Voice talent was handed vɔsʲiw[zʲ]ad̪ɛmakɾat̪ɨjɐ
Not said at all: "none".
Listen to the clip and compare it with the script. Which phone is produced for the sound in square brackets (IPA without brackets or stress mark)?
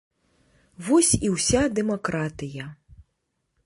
sʲ